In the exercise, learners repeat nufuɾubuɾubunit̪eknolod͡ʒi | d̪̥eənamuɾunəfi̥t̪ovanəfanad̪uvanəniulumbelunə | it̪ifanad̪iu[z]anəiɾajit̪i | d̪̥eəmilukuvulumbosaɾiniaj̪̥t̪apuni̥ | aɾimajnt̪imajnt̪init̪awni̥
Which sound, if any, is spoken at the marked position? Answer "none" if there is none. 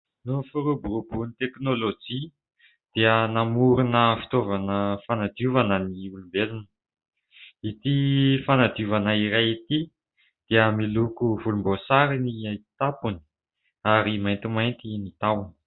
v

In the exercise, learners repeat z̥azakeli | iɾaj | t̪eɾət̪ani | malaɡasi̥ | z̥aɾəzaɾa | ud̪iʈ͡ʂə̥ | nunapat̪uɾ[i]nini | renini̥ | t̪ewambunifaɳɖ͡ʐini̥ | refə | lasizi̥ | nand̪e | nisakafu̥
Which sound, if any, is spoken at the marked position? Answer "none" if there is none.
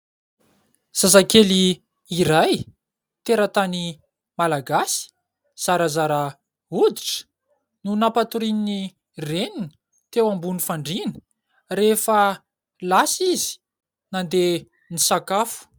i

